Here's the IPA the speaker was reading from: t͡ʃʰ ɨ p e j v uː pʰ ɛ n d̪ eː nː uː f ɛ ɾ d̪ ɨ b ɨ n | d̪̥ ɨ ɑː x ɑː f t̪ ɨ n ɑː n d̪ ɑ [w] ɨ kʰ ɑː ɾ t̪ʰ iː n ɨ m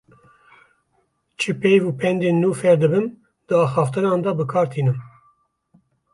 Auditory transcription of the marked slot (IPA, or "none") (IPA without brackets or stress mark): b